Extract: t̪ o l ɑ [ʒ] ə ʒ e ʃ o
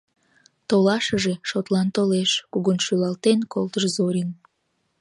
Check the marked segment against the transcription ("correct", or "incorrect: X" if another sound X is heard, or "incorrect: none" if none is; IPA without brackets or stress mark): incorrect: ʃ